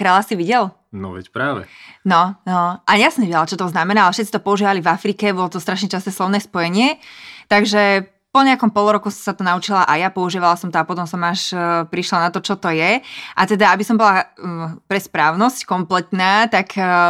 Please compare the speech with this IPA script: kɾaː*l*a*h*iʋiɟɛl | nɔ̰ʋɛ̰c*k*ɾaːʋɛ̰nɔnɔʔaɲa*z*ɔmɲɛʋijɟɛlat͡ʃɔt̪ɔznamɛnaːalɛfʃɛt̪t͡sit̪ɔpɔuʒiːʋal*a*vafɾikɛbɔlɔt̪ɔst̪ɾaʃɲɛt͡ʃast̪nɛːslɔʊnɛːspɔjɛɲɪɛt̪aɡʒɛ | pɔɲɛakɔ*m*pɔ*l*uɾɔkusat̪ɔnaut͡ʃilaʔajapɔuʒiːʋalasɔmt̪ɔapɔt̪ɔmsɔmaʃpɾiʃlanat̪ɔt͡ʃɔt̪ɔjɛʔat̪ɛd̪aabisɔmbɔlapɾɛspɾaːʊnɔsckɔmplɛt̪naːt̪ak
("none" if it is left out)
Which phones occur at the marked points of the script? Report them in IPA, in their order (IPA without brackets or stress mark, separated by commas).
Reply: l, s, p, s, i, m, l